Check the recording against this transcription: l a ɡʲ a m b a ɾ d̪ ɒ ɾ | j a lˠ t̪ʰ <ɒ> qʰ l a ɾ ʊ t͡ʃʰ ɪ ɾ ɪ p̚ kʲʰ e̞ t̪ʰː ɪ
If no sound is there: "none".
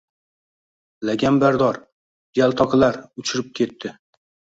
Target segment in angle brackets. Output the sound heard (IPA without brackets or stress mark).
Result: ɒ